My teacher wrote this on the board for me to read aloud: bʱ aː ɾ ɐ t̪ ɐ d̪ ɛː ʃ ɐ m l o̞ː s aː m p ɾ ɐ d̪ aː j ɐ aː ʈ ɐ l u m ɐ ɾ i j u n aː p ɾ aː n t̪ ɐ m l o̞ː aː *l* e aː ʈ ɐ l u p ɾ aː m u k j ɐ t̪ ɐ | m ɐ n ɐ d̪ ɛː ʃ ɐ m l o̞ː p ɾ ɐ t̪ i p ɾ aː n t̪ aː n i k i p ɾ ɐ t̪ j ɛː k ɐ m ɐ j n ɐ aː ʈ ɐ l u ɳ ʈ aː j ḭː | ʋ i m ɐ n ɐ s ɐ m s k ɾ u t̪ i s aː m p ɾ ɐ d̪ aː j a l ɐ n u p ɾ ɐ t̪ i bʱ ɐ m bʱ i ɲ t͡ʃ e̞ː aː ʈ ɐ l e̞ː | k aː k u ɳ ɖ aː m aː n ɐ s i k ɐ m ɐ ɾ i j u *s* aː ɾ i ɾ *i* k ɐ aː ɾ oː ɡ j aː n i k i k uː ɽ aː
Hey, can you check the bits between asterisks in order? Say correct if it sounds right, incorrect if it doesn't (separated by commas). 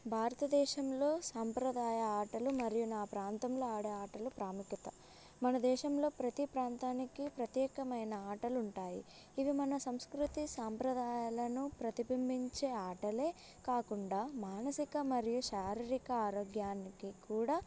incorrect, incorrect, correct